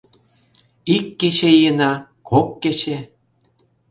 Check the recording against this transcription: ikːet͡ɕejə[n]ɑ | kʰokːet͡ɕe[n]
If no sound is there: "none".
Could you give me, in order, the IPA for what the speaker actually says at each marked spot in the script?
n, none

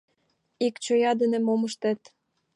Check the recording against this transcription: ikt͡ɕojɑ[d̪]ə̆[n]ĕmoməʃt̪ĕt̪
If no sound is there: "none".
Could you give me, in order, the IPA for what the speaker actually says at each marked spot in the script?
d̪, n

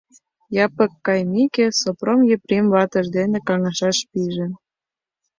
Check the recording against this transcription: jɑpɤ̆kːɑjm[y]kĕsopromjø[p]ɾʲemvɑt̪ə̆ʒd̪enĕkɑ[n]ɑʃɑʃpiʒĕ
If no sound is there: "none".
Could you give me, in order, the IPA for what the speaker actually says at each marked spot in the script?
i, p, ŋ

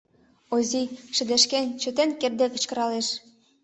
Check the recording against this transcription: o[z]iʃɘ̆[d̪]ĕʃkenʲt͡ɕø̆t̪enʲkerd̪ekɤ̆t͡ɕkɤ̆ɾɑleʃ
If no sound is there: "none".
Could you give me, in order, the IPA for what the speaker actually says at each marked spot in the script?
z, d̪

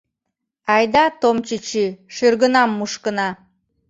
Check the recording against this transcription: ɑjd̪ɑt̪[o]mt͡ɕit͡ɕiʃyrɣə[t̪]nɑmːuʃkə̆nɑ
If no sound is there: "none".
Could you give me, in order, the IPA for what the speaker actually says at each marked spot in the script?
o, none

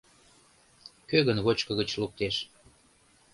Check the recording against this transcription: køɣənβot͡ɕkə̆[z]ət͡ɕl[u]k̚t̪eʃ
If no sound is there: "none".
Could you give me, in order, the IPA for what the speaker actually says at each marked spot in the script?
ɣ, u

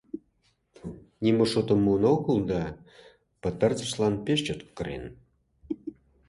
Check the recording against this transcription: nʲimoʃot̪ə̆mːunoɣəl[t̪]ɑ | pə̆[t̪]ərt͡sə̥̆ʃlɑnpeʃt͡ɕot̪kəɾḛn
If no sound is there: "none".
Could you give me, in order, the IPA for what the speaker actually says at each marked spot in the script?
d̪, t̪

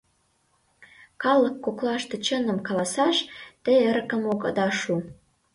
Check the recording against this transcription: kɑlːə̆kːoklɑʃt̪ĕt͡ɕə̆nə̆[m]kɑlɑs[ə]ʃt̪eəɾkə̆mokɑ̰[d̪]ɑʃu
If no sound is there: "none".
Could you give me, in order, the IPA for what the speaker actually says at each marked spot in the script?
m, ɑ, d̪

